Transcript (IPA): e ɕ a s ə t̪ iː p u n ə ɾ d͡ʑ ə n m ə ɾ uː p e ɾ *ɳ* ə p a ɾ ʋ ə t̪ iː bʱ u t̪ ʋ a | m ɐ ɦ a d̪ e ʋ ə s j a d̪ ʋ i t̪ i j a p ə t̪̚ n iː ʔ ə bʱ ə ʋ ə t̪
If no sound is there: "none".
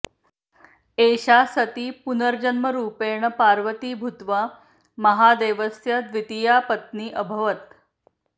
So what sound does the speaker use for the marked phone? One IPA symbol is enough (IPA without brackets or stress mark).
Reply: ɳ